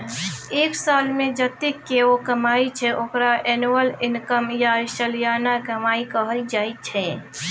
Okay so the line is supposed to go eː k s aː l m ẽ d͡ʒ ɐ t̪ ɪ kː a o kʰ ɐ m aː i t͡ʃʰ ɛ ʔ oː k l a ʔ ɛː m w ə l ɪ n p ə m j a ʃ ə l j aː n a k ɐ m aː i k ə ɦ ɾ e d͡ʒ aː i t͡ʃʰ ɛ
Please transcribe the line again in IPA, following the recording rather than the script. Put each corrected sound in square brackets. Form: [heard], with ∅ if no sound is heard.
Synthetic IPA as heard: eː k s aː l m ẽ d͡ʒ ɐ t̪ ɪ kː [e] o [k] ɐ m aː i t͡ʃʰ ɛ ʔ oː k [ɾ] a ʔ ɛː [n] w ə l ɪ n [k] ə m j a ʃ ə l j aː n a k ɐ m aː i k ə ɦ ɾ [i] d͡ʒ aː i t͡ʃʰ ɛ